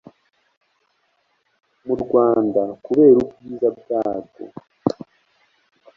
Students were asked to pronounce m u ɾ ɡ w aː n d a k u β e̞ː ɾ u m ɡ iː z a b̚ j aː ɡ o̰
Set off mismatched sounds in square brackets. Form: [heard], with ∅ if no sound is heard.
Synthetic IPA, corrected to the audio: m u ɾ ɡ w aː n d a k u β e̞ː ɾ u [b] ɡ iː z a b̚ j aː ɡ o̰